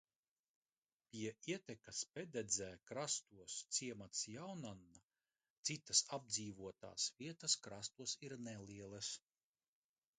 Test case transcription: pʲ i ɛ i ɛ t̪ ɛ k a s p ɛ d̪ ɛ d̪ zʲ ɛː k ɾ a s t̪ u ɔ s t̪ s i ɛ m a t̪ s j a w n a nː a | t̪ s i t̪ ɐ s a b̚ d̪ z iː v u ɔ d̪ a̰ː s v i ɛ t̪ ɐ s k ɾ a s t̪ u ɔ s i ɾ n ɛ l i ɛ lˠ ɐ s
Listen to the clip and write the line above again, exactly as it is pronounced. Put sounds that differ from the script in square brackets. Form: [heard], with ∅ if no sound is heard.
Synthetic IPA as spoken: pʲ i ɛ i ɛ t̪ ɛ k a s p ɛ d̪ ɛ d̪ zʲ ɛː k ɾ a s t̪ u ɔ s t̪ s i ɛ m a t̪ s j a w n a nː a | t̪ s i t̪ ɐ s a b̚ d̪ z iː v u ɔ [t̪] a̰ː s v i ɛ t̪ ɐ s k ɾ a s t̪ u ɔ s i ɾ n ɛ l i ɛ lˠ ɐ s